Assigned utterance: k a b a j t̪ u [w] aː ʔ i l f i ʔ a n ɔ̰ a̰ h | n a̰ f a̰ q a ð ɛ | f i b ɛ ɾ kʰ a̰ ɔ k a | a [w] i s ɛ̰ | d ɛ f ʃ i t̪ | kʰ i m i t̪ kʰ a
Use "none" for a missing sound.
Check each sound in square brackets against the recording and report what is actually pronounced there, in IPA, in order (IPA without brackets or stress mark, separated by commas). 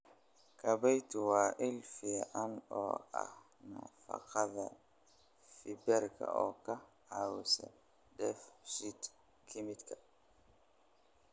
w, w